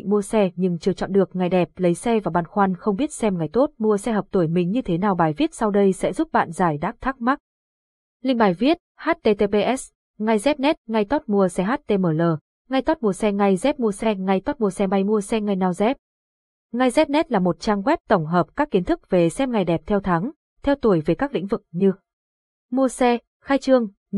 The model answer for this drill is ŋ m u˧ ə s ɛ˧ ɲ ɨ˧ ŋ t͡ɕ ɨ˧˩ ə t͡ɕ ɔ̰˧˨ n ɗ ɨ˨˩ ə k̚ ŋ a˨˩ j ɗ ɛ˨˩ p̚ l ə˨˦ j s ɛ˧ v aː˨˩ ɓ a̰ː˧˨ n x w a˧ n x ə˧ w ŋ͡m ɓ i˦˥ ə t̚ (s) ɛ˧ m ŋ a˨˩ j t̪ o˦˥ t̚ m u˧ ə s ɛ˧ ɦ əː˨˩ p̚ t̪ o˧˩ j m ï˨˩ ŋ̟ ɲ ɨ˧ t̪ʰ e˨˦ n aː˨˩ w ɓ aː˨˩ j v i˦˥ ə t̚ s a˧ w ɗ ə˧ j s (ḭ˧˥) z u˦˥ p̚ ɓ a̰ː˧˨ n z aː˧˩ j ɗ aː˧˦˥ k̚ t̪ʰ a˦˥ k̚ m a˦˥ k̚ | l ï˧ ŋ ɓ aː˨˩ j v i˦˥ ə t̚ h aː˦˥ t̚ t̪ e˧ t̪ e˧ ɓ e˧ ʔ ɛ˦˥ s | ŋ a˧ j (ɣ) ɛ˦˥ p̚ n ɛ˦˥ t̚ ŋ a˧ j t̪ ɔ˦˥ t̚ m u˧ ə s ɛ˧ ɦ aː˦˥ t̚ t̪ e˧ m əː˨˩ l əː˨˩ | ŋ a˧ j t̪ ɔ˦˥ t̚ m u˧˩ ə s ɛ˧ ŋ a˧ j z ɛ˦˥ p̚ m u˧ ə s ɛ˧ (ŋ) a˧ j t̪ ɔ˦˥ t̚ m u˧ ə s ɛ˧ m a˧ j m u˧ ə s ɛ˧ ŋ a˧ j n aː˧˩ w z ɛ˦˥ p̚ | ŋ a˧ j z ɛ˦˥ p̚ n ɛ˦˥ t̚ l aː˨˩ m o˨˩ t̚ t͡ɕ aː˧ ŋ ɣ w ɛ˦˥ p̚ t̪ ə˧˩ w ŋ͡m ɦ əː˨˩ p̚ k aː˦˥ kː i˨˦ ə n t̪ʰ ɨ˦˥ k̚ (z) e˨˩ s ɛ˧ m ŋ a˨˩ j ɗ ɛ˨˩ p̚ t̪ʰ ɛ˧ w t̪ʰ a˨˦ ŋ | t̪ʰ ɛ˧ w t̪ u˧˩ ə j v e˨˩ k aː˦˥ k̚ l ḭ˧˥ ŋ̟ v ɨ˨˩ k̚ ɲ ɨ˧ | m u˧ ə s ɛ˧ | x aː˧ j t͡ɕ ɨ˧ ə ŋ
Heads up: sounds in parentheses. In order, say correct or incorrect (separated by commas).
correct, incorrect, incorrect, correct, incorrect